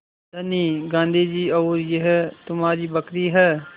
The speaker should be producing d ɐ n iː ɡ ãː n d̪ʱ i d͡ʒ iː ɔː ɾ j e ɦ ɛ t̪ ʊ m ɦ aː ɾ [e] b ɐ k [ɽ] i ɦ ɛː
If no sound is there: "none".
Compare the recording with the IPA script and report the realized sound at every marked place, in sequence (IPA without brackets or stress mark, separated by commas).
i, ɾ